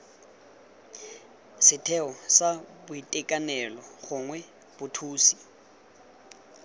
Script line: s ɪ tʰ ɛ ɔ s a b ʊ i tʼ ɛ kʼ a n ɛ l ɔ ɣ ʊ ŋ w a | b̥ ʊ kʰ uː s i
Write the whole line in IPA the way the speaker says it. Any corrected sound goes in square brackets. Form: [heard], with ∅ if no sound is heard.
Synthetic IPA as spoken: s ɪ tʰ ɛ ɔ s a b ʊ i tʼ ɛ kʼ a n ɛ l ɔ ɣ ʊ ŋ w [ɛ] | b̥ ʊ [tʰ] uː s i